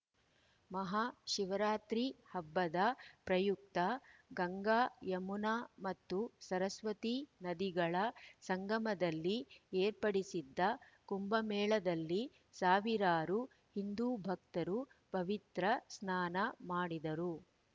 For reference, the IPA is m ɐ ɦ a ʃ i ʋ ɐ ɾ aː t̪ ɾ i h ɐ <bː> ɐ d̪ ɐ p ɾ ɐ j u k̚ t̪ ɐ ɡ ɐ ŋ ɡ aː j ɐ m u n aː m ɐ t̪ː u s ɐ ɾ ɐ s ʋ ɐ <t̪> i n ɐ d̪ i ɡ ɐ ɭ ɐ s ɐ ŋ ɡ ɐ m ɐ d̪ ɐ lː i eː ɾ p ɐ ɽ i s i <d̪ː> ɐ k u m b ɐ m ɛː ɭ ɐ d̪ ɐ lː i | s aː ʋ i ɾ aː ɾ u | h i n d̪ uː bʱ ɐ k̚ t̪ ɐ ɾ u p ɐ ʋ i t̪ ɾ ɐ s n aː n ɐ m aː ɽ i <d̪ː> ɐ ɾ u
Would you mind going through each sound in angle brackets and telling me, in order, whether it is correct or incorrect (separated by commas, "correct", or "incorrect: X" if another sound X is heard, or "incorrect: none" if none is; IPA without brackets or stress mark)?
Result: correct, correct, correct, incorrect: d̪